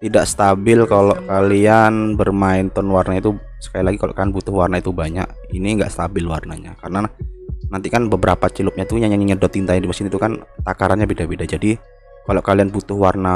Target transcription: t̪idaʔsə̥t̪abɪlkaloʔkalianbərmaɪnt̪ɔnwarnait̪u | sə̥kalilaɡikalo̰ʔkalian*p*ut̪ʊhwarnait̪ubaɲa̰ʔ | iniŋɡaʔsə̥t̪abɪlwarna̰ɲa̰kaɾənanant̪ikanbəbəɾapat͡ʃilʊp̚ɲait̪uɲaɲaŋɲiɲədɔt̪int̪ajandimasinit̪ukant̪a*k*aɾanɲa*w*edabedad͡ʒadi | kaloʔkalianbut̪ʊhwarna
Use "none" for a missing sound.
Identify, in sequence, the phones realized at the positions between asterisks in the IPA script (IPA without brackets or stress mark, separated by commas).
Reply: b, k, b